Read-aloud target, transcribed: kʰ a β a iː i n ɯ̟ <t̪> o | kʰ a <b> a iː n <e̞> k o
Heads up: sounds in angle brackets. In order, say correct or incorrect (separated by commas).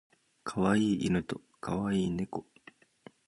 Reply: correct, incorrect, correct